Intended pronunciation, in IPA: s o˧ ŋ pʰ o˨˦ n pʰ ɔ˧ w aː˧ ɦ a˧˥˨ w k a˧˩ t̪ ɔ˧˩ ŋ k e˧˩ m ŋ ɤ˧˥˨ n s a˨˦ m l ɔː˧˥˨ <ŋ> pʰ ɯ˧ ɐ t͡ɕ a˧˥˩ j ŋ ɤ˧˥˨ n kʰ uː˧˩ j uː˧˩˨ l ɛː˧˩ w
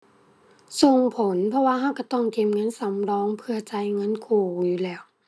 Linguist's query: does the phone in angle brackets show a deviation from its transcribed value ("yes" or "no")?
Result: no